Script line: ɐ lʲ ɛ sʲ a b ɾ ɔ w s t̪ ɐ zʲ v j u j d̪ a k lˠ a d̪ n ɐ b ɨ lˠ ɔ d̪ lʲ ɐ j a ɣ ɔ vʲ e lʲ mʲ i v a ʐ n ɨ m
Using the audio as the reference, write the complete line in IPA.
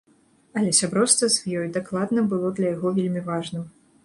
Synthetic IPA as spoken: ɐ lʲ ɛ sʲ a b ɾ ɔ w s t̪ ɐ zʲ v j ɔ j d̪ a k lˠ a d̪ n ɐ b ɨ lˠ ɔ d̪ lʲ ɐ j a ɣ ɔ vʲ e lʲ mʲ i v a ʐ n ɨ m